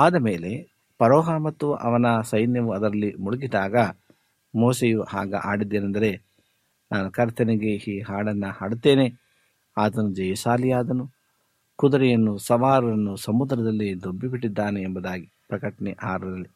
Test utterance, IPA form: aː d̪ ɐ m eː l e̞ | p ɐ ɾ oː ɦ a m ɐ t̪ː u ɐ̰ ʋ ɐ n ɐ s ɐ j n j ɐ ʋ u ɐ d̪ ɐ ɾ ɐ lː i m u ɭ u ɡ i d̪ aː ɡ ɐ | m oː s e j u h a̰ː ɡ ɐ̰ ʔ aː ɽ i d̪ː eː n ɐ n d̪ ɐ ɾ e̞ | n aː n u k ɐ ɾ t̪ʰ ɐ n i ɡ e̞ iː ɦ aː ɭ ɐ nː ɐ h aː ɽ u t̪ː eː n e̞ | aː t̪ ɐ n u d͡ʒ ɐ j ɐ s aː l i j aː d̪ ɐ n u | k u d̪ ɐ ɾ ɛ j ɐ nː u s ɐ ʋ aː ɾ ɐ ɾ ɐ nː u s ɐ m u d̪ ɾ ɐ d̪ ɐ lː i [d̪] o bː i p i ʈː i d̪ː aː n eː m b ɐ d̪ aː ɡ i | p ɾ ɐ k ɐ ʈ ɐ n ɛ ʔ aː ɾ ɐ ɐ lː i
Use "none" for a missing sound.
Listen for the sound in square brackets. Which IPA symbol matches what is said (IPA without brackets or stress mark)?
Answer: d̪